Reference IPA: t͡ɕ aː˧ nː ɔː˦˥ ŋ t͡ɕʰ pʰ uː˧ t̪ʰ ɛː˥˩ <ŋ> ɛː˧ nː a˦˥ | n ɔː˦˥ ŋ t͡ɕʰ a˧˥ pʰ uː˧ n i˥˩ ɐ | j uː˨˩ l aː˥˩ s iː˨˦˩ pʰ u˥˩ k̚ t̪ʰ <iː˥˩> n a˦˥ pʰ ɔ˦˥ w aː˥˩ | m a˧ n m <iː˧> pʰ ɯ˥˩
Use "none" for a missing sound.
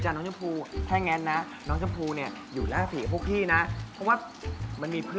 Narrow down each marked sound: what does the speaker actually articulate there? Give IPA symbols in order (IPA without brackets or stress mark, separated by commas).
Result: ŋ, iː˥˩, iː˧